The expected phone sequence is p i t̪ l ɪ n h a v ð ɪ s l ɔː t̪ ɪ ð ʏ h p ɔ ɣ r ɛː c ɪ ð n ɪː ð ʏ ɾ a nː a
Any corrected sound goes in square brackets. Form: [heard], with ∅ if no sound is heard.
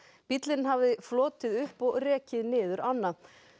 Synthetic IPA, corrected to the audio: p i t̪ l ɪ n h a v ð ɪ [f] l ɔː t̪ ɪ ð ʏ h p ɔ ɣ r ɛː c ɪ ð n ɪː ð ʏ ɾ a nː a